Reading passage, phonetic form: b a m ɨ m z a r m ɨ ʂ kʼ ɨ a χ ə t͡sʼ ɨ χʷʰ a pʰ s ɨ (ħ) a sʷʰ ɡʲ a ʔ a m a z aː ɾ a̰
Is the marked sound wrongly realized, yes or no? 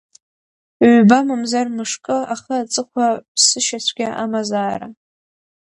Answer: yes